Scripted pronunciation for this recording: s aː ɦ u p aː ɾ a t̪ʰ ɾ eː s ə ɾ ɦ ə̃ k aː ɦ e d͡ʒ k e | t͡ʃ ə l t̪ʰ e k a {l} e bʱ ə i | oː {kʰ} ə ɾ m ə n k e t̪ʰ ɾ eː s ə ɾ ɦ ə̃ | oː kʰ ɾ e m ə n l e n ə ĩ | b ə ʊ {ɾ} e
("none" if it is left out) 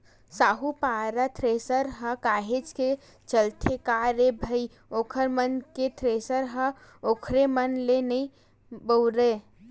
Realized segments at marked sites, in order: ɾ, kʰ, ɾ

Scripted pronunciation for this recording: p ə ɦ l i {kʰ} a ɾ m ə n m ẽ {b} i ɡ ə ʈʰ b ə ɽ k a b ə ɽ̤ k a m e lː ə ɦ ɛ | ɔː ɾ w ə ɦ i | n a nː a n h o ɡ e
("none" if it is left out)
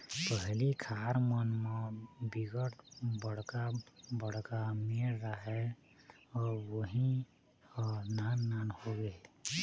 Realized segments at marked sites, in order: kʰ, b

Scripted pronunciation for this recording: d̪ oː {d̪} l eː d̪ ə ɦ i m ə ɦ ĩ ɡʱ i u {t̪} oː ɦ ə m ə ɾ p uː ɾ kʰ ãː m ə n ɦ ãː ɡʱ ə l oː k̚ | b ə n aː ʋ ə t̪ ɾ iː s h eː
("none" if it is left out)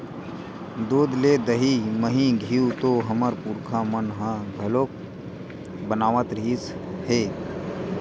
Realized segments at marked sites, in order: d̪, t̪

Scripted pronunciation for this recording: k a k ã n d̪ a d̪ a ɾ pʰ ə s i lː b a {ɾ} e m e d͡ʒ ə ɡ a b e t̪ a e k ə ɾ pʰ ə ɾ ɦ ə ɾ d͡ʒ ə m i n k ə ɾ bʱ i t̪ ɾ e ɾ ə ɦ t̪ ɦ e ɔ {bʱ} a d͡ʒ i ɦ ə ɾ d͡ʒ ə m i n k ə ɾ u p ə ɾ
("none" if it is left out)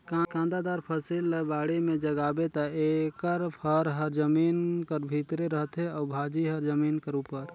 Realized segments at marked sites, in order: ɽ, bʱ

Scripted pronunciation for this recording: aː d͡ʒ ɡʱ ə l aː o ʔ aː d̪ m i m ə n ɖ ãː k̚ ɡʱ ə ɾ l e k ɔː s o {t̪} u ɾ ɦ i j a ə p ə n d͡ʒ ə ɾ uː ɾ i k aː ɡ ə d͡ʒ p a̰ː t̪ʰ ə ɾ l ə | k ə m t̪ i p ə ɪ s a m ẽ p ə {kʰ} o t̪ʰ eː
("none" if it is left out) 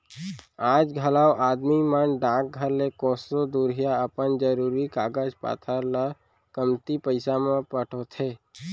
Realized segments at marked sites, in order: d̪, ʈʰ

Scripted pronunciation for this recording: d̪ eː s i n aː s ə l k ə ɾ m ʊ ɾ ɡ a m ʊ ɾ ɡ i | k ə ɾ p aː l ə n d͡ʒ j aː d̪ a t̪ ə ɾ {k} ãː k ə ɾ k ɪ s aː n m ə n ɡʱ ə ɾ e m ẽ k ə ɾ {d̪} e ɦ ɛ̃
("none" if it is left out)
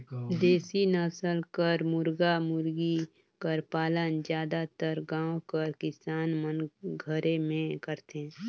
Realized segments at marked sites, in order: ɡ, t̪

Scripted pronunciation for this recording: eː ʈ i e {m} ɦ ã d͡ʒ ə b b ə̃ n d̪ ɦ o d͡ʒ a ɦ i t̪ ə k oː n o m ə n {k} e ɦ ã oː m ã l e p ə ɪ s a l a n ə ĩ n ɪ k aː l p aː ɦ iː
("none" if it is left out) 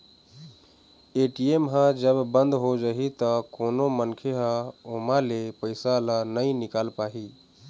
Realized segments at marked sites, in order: m, kʰ

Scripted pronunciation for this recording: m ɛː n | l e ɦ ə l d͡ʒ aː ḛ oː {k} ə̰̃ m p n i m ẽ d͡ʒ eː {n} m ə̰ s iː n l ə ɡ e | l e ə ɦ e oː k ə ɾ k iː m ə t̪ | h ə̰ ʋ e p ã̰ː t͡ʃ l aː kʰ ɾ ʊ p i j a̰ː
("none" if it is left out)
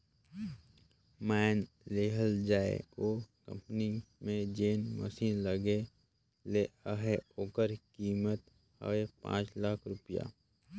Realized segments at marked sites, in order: k, n

